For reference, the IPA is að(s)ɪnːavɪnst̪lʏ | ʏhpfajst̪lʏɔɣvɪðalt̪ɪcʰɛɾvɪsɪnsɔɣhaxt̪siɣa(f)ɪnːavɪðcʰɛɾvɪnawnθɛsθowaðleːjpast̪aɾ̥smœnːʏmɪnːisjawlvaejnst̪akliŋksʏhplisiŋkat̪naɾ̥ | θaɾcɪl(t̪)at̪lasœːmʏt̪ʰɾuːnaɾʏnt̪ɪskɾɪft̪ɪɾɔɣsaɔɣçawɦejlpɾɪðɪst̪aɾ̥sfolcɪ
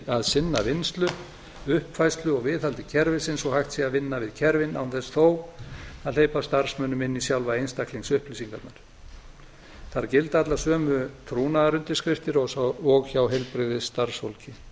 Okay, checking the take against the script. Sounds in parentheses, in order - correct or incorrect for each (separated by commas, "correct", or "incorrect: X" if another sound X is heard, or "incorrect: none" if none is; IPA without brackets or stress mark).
correct, incorrect: v, correct